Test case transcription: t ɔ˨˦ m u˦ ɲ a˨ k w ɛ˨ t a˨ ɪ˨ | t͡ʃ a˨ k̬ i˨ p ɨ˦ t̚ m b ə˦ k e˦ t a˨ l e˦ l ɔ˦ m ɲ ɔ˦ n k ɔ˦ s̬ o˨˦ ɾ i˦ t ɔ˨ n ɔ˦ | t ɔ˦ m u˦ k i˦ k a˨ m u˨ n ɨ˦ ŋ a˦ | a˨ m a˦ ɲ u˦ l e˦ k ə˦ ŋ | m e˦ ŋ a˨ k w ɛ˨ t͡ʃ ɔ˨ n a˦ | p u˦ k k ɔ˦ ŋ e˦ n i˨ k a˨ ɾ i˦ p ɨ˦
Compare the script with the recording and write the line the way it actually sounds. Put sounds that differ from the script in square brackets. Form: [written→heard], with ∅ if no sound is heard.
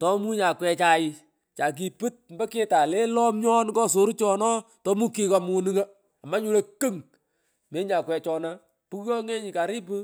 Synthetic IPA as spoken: t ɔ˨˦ m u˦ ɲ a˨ k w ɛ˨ [t→t͡ʃ] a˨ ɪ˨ | t͡ʃ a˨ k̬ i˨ p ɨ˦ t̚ m b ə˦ k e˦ t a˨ l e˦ l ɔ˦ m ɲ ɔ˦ n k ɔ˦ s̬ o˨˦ ɾ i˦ [t→t͡ʃ] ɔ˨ n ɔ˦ | t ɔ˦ m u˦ k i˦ k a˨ m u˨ n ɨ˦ ŋ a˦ | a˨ m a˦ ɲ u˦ l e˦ k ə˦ ŋ | m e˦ [ŋ→ɲ] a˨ k w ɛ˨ t͡ʃ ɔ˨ n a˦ | p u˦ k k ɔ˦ ŋ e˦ [n→ɲ] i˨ k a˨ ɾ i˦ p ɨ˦